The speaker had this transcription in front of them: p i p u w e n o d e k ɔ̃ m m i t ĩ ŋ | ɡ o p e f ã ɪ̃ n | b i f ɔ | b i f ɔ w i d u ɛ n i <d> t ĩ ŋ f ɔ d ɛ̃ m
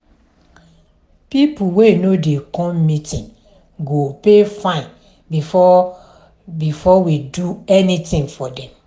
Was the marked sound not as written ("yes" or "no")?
yes